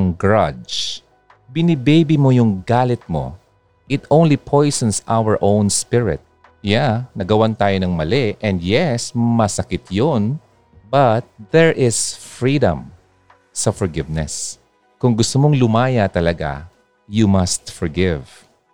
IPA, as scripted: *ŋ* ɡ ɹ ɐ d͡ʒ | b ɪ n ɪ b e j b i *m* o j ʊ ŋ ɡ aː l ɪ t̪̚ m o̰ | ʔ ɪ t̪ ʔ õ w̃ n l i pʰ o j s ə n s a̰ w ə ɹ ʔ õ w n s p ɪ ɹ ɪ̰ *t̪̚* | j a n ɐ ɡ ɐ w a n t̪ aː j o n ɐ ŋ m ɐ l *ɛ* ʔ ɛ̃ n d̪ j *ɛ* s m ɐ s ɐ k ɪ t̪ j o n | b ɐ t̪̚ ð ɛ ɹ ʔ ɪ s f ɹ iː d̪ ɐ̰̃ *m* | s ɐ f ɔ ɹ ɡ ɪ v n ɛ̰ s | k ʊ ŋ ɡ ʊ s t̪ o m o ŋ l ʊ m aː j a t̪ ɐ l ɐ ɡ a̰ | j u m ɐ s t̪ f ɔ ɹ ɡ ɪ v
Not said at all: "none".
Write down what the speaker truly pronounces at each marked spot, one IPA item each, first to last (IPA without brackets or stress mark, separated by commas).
ŋ, m, t̪̚, ɛ, ɛ, m